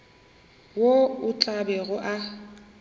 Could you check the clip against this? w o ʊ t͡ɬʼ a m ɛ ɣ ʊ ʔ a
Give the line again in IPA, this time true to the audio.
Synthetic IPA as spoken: w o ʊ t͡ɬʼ a b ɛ ɣ ʊ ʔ a